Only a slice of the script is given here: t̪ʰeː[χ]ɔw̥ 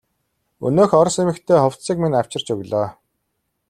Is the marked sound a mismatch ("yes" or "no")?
no